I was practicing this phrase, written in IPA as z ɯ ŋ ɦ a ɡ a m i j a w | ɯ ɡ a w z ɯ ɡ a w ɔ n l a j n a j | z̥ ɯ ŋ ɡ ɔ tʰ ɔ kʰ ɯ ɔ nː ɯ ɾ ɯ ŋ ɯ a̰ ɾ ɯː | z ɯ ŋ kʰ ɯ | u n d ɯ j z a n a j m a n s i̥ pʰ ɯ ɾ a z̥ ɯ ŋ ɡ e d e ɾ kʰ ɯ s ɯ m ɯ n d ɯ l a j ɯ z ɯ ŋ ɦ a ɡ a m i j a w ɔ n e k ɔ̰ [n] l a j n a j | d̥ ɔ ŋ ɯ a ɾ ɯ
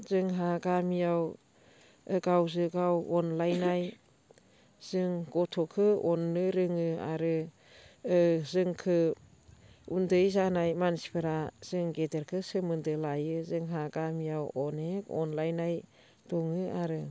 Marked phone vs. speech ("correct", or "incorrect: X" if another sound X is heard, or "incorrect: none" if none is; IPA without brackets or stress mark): correct